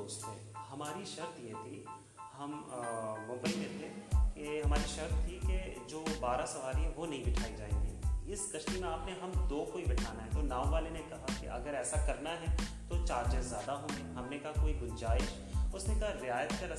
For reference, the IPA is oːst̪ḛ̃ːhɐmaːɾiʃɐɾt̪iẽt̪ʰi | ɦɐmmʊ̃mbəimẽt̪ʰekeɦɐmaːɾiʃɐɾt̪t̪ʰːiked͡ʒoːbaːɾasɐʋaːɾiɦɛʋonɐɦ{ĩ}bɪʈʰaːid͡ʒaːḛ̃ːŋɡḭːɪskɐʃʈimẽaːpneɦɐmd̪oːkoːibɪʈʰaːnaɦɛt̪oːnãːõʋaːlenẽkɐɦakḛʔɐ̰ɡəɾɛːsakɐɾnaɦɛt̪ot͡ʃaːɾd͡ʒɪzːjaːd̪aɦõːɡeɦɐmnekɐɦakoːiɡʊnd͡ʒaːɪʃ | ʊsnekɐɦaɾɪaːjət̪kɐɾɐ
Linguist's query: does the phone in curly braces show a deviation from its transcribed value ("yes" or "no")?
no